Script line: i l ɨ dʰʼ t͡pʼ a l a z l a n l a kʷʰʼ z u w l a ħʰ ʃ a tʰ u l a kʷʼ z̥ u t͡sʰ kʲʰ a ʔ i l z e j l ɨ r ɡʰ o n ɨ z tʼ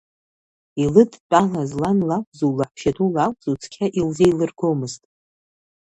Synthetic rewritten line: i l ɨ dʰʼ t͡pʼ a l a z l a n l a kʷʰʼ z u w l a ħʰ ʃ a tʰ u l a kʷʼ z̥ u t͡sʰ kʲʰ a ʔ i l z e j l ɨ r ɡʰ o m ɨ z tʼ